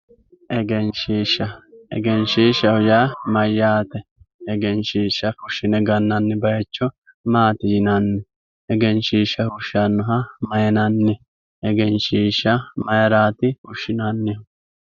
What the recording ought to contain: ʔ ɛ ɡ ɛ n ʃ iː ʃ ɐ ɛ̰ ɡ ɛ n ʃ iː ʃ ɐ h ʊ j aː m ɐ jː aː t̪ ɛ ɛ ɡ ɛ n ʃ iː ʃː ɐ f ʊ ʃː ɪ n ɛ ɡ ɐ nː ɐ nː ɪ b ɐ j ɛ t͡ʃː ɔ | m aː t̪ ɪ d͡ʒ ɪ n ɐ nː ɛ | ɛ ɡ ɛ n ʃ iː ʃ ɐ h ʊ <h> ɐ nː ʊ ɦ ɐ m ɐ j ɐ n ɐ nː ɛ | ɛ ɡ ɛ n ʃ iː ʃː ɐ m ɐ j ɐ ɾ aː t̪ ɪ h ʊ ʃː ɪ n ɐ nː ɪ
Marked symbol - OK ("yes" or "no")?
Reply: no